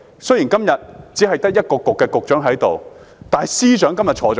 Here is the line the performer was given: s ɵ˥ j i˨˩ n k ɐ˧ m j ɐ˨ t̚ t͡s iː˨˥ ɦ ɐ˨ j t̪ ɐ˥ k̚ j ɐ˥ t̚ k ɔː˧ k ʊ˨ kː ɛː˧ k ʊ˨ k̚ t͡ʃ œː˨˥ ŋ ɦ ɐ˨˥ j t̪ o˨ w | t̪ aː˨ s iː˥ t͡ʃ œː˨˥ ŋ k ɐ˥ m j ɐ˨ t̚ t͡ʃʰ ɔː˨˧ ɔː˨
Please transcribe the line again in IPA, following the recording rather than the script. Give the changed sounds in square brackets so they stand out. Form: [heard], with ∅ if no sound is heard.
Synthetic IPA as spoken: s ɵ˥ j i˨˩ n k [ɐ˥] m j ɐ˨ t̚ t͡s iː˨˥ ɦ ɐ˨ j t̪ ɐ˥ k̚ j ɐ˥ t̚ k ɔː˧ k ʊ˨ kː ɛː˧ k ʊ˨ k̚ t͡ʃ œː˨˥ ŋ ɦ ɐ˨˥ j t̪ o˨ w | t̪ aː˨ s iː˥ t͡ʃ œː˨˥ ŋ k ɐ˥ m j ɐ˨ t̚ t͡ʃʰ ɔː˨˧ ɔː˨